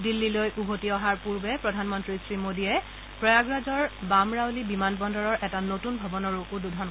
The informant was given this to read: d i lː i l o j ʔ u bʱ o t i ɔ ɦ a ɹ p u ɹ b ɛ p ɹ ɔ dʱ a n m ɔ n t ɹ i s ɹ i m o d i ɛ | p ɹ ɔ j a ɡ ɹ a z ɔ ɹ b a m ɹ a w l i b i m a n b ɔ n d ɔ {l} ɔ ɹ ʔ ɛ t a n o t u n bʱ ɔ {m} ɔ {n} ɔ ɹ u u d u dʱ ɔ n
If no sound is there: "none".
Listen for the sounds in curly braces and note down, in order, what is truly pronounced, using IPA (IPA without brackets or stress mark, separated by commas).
ɹ, b, n